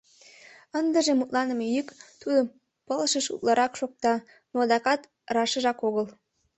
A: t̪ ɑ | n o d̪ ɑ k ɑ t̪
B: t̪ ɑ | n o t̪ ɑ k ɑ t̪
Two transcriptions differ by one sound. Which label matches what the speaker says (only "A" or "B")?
A